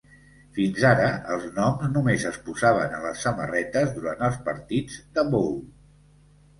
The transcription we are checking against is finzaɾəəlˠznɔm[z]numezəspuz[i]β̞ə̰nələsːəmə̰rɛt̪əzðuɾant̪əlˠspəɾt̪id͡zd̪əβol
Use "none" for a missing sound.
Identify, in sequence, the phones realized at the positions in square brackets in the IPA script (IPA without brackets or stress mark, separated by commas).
z, a